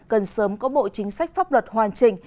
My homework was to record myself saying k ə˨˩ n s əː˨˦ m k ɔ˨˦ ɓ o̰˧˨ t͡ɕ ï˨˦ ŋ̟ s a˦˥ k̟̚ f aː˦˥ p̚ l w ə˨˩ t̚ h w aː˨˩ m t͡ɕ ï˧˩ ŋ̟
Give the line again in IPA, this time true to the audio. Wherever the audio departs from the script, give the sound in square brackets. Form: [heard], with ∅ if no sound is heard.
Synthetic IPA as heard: k ə˨˩ n s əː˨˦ m k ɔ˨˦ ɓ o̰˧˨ t͡ɕ ï˨˦ ŋ̟ s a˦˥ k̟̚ f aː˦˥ p̚ l w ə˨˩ t̚ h w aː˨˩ [n] t͡ɕ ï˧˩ ŋ̟